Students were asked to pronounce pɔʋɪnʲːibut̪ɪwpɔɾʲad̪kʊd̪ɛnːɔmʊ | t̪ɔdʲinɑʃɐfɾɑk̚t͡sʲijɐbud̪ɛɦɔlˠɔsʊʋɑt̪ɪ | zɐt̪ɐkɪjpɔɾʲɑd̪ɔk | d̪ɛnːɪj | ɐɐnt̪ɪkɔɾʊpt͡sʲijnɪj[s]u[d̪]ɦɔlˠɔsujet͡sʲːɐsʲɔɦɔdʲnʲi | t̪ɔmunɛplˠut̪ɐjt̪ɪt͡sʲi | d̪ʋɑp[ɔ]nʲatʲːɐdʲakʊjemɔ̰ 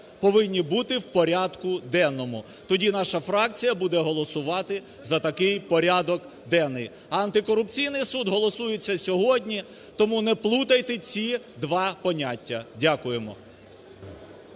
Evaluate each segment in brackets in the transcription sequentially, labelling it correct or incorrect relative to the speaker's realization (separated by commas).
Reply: correct, correct, correct